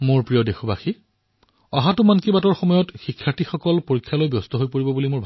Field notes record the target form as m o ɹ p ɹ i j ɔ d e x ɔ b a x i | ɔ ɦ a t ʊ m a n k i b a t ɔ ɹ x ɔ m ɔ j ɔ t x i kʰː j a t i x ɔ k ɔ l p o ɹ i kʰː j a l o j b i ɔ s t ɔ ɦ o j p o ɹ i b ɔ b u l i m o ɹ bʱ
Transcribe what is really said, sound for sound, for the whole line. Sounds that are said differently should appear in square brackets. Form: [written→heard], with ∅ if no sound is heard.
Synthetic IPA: m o ɹ p ɹ i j ɔ d e x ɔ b a x i | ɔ ɦ a t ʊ m a n k i b a t ɔ ɹ x ɔ m ɔ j ɔ t x i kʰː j a t i x ɔ k ɔ l p o ɹ i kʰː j a l o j b [i→j] ɔ s t ɔ ɦ o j p o ɹ i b ɔ b u l i m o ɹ bʱ

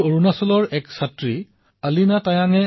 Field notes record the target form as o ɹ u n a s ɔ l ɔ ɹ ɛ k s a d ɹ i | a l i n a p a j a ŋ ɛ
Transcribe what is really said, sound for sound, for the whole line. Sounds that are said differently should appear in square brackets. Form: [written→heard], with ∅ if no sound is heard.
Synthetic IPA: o ɹ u n a s ɔ l ɔ ɹ ɛ k s a [d→t] ɹ i | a l i n a [p→t] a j a ŋ ɛ

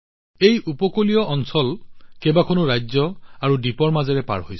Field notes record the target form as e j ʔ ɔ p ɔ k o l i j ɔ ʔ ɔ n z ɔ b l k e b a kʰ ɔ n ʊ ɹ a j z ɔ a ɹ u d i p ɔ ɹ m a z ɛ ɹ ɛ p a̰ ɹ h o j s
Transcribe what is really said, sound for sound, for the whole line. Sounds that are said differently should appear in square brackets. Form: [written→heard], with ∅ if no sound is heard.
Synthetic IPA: e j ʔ [ɔ→u] p ɔ k o l i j ɔ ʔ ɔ n [z→s] ɔ [b→∅] l k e b a kʰ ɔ n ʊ ɹ a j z ɔ a ɹ u d i p ɔ ɹ m a z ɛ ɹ ɛ p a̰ ɹ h o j s

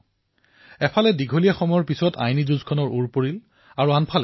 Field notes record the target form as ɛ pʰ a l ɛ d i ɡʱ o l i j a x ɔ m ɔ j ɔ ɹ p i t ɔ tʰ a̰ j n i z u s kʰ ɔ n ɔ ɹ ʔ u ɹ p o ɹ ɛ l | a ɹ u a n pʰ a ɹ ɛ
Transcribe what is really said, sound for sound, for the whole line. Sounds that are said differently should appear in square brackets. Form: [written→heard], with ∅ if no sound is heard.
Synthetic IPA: ɛ pʰ a l ɛ d i ɡʱ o l i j a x ɔ m ɔ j ɔ ɹ p i [t→s] ɔ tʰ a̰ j n i z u [s→z] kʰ ɔ n ɔ ɹ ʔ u ɹ p o ɹ [ɛ→i] l | a ɹ u a n pʰ a [ɹ→l] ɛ

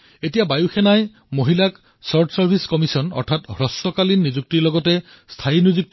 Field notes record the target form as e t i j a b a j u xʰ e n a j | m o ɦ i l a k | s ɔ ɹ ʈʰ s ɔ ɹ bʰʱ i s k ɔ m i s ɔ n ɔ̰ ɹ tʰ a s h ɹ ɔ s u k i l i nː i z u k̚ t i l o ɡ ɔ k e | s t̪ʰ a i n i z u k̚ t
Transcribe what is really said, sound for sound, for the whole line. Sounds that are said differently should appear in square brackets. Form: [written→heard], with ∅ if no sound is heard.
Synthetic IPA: e t i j a b a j u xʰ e n a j | m o ɦ i l a k | s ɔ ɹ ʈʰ s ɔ ɹ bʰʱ i s k ɔ m i s ɔ n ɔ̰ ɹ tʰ a [s→t] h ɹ ɔ s [u→ɔ] k [i→a] l i nː i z u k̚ t i l [o→ɔ] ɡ ɔ [k→t] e | s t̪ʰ a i n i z u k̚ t

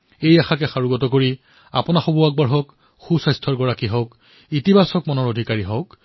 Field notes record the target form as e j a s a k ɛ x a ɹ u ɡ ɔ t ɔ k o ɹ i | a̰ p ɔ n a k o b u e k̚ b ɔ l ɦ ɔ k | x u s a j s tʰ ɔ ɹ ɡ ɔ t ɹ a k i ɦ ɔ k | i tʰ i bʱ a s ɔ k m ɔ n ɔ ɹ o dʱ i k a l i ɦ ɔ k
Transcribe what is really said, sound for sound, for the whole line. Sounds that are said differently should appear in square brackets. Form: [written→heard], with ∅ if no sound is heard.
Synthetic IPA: e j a [s→x] a k ɛ x a ɹ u ɡ ɔ t ɔ k o ɹ i | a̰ p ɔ n a [k→x] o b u [e→a] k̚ b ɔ [l→ɹ] ɦ ɔ k | x u s a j s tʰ ɔ ɹ ɡ ɔ [t→∅] ɹ a k i ɦ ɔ k | i [tʰ→t] i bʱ a s ɔ k m ɔ n ɔ ɹ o dʱ i k a [l→ɹ] i ɦ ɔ k

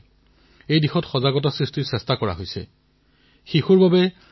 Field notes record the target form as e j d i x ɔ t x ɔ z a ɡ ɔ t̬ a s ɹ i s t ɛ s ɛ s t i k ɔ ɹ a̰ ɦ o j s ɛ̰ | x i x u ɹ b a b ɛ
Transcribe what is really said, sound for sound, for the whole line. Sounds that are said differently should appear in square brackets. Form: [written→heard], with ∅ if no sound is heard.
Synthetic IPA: e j d i x ɔ t x ɔ z a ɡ ɔ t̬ a s ɹ i s t [ɛ→i] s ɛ s t [i→a] k ɔ ɹ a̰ ɦ o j s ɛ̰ | x i x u ɹ b a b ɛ

